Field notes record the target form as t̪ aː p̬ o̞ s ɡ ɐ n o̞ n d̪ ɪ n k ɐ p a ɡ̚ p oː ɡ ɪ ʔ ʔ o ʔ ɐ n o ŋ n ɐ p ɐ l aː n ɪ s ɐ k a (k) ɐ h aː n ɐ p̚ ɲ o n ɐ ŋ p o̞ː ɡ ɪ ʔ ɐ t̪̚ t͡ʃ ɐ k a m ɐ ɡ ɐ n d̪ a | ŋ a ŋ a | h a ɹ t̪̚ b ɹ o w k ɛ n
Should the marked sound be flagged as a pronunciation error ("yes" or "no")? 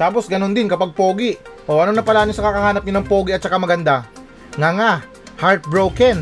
no